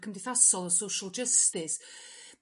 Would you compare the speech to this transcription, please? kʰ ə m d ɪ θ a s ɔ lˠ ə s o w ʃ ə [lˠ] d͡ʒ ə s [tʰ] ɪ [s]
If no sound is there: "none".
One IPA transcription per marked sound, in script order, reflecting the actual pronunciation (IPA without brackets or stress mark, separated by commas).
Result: lˠ, t, s